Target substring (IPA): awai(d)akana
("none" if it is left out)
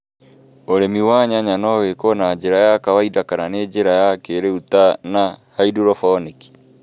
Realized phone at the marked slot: d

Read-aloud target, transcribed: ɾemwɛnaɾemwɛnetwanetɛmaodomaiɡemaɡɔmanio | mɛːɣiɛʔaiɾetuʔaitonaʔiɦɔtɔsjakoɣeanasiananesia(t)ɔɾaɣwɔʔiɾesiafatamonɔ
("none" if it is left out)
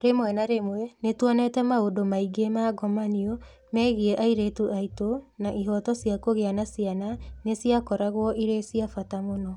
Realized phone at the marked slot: k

